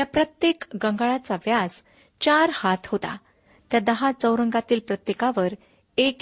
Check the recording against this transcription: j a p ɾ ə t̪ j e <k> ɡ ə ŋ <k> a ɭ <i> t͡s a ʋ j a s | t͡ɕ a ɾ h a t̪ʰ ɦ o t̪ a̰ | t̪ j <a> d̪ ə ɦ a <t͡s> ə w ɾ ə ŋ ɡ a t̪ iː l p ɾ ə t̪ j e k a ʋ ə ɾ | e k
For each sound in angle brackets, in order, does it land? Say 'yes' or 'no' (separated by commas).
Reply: yes, no, no, yes, yes